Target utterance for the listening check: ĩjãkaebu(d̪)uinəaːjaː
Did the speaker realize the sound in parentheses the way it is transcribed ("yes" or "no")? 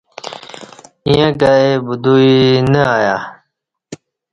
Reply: yes